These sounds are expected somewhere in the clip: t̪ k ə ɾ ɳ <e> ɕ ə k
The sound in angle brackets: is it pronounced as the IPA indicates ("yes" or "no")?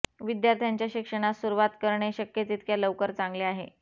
yes